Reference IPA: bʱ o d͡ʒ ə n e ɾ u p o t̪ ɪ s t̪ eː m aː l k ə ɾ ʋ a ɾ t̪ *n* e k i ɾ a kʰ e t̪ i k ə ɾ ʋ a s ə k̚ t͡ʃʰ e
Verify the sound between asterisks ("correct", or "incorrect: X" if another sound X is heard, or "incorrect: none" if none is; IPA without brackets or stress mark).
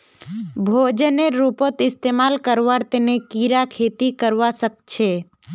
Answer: correct